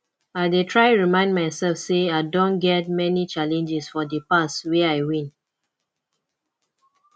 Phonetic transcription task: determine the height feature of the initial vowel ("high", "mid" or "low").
low